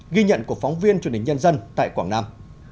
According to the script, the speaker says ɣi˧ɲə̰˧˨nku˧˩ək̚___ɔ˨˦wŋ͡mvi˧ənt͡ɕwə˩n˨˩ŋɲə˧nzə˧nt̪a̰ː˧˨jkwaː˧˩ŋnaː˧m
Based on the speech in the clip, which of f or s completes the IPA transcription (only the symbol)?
f